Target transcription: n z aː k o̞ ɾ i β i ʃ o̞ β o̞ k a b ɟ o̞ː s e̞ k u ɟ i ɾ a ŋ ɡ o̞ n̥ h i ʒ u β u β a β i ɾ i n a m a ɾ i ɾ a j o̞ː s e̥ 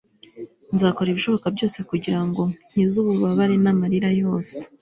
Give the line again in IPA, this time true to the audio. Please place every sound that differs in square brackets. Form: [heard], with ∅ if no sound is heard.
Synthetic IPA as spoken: n z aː k o̞ ɾ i β i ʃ o̞ β o̞ k a b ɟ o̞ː s e̞ k u ɟ i ɾ a ŋ ɡ o̞ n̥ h i [z] u β u β a β [a] ɾ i n a m a ɾ i ɾ a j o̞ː s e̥